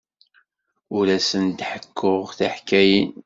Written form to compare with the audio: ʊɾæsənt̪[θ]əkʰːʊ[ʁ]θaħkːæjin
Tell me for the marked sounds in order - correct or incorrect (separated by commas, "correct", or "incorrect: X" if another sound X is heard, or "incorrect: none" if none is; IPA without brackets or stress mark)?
incorrect: ħ, correct